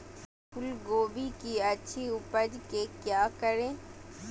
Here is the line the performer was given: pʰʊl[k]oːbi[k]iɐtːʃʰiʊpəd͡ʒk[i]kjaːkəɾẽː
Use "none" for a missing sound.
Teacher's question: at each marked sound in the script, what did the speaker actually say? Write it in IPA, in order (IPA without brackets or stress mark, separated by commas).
ɡ, k, e